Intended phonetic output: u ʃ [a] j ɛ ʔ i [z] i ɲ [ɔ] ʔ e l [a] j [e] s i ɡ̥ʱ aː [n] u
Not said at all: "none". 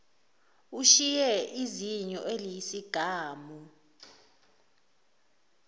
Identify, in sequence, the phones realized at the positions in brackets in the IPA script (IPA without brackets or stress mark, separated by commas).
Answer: i, z, ɔ, i, i, m